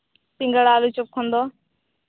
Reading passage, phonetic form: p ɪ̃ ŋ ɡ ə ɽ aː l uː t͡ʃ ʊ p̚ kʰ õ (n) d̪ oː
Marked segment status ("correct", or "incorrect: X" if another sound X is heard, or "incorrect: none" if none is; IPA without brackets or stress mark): correct